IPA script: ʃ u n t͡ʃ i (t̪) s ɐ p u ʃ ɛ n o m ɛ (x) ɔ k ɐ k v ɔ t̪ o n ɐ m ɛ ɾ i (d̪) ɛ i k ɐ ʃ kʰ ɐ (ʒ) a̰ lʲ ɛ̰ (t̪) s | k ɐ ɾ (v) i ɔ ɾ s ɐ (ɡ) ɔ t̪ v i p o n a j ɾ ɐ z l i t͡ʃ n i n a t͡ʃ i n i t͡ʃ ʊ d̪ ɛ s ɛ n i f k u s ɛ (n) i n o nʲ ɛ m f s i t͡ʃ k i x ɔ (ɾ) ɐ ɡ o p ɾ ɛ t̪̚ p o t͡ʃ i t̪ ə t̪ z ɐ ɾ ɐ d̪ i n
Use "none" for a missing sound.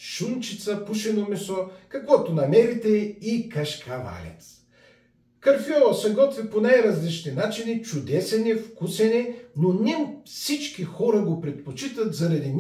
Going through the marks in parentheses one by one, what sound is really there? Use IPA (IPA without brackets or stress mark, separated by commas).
t̪, s, t̪, v, t̪, f, ɡ, n, ɾ